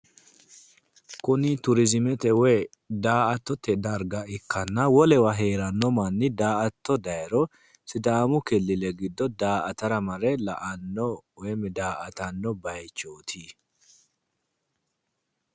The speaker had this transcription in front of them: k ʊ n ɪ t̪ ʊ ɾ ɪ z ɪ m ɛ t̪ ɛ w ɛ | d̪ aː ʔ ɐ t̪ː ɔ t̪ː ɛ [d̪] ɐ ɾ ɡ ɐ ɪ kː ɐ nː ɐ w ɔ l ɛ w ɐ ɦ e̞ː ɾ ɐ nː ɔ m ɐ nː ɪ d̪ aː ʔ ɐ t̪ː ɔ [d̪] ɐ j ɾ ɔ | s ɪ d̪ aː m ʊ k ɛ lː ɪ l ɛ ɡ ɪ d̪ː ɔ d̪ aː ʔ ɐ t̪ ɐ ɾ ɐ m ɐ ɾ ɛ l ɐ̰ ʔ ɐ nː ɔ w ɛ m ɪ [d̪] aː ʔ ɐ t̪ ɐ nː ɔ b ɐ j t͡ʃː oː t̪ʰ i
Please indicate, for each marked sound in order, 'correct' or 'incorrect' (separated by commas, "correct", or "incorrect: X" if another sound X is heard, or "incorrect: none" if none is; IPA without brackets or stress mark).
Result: correct, correct, correct